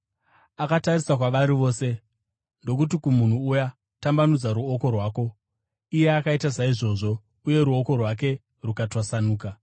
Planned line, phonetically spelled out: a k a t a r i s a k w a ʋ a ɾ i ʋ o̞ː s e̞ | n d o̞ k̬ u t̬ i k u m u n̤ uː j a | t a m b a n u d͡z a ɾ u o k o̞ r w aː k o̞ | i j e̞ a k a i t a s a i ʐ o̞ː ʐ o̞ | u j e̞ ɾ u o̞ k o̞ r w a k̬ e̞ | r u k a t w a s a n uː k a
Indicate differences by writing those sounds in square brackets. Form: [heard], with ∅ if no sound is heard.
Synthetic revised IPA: a k a t a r i s a k w a ʋ a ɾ i ʋ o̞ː s e̞ | n d o̞ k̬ u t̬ i k u m u n̤ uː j a | t a m b a n u d͡z a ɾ u o k o̞ r w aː k o̞ | i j e̞ a k a i t a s a i ʐ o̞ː ʐ o̞ | u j e̞ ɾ u o̞ k o̞ r w a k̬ e̞ | r u k a t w a s a n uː k a